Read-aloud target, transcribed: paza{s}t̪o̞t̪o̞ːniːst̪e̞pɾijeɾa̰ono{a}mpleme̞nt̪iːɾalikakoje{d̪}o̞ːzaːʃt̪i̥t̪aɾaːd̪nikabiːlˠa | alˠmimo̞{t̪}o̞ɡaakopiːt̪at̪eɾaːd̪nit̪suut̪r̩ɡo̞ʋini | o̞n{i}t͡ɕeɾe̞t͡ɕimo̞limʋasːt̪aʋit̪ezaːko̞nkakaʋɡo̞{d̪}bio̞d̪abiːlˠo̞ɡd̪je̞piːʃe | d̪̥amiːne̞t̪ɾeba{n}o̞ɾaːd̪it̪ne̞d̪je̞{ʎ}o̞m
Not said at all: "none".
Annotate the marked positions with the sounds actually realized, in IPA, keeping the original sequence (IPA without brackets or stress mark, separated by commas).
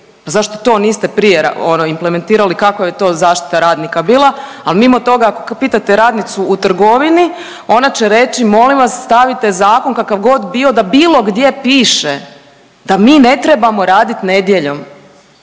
ʃ, i, t̪, t̪, a, d̪, m, ʎ